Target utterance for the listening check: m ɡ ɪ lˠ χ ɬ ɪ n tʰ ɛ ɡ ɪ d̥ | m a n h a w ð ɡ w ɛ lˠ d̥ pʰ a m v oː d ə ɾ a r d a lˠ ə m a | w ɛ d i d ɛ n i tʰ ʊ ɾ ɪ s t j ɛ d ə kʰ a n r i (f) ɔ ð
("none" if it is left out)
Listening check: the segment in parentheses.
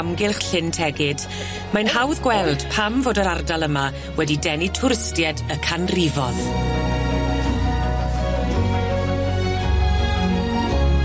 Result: v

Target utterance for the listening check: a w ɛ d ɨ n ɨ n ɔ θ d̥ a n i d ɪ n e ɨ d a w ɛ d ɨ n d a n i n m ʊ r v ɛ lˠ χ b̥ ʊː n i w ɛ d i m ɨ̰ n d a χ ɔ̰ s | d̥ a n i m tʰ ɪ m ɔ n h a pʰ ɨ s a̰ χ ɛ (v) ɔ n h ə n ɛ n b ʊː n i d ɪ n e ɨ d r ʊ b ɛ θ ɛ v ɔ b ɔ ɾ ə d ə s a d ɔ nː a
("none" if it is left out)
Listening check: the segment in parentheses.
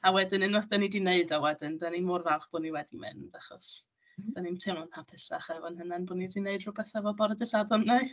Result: v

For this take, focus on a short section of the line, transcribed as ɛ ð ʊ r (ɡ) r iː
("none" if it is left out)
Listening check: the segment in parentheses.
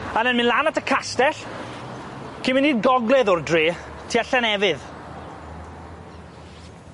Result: d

